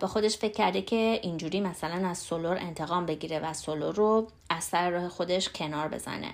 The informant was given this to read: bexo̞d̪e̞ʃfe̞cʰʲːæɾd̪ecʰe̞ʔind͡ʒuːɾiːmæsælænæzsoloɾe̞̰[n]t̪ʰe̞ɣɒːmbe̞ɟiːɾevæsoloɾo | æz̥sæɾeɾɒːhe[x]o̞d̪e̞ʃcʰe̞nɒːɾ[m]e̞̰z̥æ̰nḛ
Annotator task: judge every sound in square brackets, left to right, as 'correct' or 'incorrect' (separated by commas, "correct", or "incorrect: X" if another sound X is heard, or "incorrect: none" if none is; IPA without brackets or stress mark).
correct, correct, incorrect: b